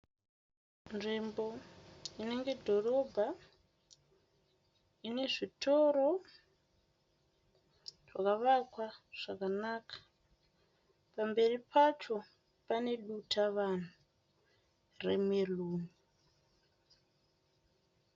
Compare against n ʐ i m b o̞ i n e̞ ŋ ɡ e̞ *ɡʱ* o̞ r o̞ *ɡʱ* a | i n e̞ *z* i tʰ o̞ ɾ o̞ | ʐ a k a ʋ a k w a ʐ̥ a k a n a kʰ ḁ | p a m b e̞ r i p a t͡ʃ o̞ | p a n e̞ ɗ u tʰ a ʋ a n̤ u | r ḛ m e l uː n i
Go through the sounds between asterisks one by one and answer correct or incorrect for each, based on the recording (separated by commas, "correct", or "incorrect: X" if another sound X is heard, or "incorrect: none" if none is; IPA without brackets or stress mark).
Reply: incorrect: dʱ, incorrect: bʱ, incorrect: ʐ